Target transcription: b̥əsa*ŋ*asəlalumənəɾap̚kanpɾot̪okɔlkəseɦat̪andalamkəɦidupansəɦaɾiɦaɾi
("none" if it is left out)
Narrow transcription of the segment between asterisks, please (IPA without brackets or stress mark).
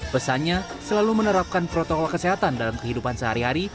ɲ